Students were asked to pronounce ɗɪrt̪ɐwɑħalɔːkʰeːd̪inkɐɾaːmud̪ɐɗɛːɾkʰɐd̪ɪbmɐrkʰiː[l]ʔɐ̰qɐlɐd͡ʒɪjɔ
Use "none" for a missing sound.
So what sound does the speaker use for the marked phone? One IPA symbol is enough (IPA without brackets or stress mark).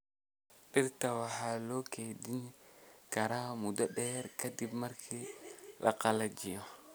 l